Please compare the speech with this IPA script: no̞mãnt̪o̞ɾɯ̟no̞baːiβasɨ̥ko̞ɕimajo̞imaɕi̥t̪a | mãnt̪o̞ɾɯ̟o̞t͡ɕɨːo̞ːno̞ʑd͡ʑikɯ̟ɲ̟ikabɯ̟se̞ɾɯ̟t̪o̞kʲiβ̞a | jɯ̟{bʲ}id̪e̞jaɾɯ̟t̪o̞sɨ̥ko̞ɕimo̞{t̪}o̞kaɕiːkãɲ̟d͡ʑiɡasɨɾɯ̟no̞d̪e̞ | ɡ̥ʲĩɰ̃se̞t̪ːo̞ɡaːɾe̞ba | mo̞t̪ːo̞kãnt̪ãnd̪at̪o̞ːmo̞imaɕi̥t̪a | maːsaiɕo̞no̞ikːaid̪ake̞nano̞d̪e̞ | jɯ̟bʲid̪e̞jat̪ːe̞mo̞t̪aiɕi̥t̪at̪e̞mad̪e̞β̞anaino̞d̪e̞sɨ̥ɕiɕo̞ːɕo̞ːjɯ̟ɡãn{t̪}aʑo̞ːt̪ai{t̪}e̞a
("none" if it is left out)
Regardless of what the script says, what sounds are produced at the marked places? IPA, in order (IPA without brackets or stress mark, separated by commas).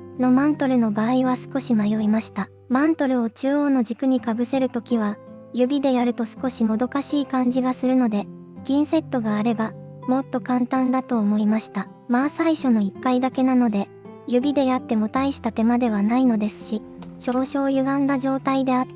bʲ, d̪, d̪, d̪